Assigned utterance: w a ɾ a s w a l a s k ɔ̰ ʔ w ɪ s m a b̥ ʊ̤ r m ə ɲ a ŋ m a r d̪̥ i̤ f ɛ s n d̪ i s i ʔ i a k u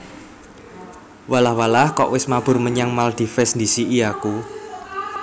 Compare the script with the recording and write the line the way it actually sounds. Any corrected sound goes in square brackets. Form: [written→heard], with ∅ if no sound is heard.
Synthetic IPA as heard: w a [ɾ→l] a [s→h] w a l a [s→h] k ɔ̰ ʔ w ɪ s m a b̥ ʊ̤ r m ə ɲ a ŋ m a [r→l] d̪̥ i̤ f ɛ s n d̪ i s i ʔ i a k u